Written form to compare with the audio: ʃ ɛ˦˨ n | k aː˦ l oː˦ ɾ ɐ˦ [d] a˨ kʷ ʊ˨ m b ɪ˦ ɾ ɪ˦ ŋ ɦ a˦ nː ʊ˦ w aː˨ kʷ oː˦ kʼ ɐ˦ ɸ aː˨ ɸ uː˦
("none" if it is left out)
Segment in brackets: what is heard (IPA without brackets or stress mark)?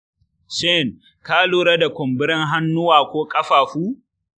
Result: d